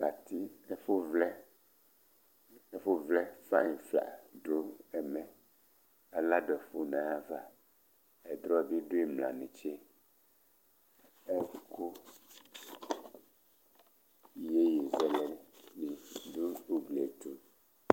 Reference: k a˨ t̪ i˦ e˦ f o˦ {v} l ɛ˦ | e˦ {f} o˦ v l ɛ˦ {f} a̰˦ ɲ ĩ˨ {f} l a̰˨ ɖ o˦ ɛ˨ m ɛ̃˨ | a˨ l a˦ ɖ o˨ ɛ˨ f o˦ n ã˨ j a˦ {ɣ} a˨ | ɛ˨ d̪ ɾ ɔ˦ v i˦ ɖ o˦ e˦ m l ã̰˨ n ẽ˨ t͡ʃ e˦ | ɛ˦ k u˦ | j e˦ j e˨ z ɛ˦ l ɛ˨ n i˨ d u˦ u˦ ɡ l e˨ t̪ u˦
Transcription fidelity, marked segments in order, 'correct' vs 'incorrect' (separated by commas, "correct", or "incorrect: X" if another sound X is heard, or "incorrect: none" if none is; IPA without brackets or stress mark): correct, correct, correct, correct, incorrect: v